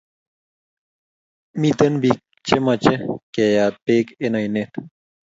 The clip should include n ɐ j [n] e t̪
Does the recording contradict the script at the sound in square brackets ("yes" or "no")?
no